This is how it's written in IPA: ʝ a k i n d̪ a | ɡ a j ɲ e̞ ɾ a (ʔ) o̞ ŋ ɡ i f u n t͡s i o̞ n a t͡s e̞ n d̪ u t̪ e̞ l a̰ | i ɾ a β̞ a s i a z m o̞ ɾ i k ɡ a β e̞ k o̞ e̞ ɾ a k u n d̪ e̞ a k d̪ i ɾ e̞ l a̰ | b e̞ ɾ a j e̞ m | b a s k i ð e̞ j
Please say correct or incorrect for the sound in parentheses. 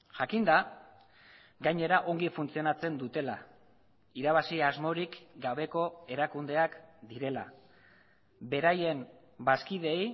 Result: correct